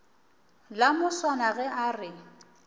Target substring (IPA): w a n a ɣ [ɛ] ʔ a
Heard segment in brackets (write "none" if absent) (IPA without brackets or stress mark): ɛ